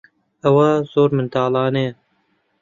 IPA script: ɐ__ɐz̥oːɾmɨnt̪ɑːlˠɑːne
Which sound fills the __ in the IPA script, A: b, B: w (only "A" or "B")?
B